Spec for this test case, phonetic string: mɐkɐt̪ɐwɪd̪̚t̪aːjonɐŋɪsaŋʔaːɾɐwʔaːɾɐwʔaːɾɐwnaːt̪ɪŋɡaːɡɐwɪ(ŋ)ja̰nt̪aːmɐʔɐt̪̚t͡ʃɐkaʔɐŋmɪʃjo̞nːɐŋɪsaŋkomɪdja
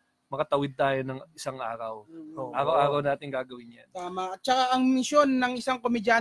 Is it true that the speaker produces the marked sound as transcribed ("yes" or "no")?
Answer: no